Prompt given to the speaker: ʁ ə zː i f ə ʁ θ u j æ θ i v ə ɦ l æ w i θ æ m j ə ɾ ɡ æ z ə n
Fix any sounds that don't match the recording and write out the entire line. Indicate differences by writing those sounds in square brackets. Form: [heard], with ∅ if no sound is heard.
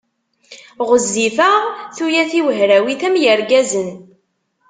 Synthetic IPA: ʁ ə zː i f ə ʁ θ u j æ θ i [w] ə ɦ [ɾ] æ w i θ æ m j ə ɾ ɡ æ z ə n

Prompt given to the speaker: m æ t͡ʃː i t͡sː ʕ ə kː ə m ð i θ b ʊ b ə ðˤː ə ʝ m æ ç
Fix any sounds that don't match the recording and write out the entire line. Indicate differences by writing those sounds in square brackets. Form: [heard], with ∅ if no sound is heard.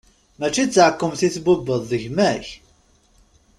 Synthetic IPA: m æ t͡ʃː i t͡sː ʕ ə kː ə m [θ] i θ b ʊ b ə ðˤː ə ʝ m æ ç

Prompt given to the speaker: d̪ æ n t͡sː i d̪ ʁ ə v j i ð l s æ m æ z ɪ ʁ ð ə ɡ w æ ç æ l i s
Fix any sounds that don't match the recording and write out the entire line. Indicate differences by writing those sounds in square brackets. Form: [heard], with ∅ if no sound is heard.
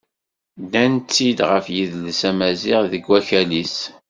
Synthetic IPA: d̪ æ n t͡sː i d̪ ʁ ə [f] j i ð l s æ m æ z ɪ ʁ ð ə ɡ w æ ç æ l i s

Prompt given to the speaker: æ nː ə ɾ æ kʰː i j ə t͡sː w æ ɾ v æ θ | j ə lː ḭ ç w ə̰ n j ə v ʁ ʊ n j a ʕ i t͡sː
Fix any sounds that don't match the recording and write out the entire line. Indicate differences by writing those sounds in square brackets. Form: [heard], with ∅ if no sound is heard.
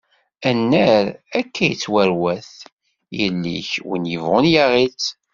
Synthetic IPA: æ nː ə ɾ æ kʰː [æ] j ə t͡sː w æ ɾ [w] æ θ | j ə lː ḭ ç w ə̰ n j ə v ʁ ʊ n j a [ʁ] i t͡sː

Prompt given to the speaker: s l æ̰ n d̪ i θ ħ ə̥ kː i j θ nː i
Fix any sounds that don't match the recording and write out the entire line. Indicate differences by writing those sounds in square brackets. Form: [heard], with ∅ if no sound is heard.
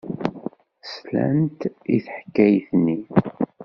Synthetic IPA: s l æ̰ n [t̪] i θ ħ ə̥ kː [æ] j θ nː i

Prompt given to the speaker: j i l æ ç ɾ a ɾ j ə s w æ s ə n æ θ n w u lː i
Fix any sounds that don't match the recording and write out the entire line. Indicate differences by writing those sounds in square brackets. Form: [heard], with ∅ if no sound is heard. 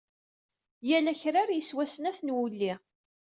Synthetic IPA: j [æ] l æ ç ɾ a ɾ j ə s w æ s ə n æ θ n w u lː i

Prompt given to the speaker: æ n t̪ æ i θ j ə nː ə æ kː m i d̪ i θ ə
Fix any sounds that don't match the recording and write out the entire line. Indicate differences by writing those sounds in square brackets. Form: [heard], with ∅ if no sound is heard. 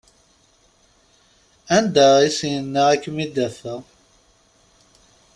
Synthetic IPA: æ n [d̪] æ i [s] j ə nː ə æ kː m i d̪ [æ] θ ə

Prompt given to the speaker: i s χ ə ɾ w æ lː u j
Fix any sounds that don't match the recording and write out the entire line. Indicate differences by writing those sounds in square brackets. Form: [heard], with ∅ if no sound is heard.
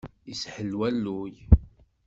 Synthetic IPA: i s [ħ] ə [l] w æ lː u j

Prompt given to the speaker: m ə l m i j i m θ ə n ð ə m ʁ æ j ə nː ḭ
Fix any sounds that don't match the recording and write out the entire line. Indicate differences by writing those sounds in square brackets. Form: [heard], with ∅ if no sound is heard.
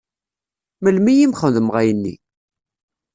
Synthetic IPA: m ə l m i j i m [χ] ə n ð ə m ʁ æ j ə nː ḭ

